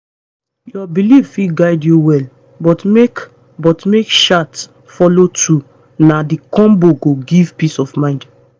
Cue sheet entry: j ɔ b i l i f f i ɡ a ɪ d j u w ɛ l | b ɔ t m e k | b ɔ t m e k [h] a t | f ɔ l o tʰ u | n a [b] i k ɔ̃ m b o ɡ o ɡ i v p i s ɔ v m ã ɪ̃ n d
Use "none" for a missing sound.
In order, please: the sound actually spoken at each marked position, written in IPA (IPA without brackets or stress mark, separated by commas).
ʃ, d